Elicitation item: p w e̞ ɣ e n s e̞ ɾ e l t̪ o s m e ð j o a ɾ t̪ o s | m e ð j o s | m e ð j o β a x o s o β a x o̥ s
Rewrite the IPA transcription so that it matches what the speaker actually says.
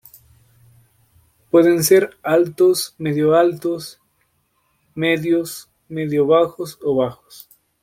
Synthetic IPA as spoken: p w e̞ ð e n s e̞ ɾ a l t̪ o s m e ð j o a l t̪ o s | m e ð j o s | m e ð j o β a x o s o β a x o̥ s